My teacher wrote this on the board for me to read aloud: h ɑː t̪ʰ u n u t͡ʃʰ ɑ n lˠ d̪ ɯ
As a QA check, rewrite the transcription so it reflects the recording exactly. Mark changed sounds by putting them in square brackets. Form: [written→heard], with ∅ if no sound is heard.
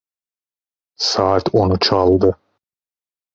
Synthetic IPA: [h→s] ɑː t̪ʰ [u→o] n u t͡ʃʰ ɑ [n→∅] lˠ d̪ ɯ